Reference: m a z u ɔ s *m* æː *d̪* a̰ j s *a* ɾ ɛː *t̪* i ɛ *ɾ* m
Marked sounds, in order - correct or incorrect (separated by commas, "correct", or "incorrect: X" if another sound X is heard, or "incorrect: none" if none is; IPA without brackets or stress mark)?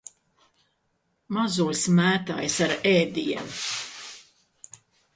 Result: correct, incorrect: t̪, correct, incorrect: d̪, incorrect: none